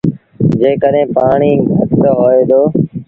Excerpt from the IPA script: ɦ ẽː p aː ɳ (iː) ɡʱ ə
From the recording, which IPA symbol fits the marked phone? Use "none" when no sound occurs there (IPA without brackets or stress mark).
iː